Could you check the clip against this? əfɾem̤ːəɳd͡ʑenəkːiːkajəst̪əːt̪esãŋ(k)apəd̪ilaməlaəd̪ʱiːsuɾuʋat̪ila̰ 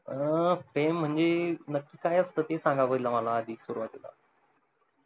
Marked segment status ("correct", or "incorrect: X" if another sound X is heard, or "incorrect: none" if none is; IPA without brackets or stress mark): incorrect: ɡ